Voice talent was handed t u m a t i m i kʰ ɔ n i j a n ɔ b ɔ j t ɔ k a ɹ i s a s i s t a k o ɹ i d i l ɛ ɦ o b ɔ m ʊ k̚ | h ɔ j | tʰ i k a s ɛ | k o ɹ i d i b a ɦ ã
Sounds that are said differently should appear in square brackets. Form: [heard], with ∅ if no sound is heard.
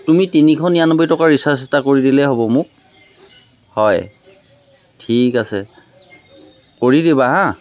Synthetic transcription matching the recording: t u m [i] t i [n] i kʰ ɔ n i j a n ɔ b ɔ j t ɔ k a ɹ i s a s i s t a k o ɹ i d i l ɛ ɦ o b ɔ m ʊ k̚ | h ɔ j | tʰ i k a s ɛ | k o ɹ i d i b a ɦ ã